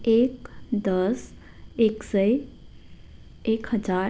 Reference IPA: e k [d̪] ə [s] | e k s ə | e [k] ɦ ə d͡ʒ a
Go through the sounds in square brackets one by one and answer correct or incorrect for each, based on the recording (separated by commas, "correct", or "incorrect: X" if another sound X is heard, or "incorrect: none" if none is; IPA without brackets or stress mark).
correct, correct, correct